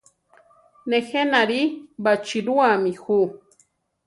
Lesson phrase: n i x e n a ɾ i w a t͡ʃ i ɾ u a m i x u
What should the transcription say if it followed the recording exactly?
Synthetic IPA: n e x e n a ɾ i b a t͡ʃ i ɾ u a m i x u